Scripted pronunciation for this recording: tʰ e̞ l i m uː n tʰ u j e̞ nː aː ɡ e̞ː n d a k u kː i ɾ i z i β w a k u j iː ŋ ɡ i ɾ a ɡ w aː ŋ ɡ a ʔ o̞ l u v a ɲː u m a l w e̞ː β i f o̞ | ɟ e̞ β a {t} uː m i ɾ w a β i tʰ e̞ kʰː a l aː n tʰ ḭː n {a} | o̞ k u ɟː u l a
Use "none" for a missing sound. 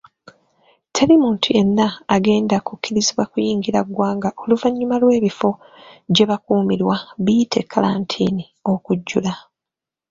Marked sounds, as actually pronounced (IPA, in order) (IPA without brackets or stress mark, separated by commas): k, i